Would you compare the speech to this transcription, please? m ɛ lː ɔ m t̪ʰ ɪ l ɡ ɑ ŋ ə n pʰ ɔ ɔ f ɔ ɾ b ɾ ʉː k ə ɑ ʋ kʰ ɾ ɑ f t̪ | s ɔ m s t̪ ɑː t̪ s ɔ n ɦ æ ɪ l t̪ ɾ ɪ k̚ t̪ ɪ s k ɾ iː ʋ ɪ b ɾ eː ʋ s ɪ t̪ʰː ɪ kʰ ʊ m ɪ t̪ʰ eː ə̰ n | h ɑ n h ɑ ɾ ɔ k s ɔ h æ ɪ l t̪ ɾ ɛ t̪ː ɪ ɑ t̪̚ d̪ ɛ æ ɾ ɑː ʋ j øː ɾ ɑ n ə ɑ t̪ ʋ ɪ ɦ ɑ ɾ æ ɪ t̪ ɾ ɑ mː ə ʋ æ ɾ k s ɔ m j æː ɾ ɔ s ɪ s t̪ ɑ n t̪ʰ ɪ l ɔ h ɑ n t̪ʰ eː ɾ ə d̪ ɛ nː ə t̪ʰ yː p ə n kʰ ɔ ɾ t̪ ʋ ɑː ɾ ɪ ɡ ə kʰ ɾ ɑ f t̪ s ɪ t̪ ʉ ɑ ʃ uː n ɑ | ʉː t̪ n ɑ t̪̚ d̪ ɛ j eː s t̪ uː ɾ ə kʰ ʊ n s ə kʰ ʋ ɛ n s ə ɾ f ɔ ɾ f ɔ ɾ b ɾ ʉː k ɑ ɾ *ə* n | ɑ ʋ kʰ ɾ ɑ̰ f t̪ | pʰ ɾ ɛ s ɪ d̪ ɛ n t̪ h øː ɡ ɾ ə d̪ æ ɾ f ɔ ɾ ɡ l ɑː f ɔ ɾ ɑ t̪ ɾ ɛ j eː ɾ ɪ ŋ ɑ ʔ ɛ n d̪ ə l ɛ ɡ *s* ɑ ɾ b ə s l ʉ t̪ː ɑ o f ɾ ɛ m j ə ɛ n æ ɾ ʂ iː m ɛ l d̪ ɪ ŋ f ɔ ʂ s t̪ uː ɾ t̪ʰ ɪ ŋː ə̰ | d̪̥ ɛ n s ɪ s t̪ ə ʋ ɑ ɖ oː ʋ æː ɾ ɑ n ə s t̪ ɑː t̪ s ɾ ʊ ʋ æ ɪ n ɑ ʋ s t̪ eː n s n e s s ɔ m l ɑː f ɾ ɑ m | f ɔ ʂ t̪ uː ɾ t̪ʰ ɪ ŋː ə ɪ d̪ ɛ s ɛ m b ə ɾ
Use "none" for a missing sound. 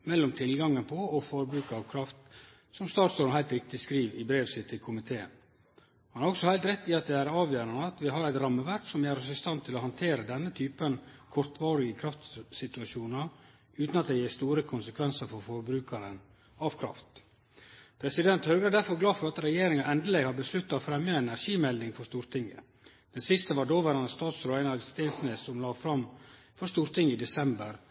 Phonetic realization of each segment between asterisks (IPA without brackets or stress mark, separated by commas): ə, h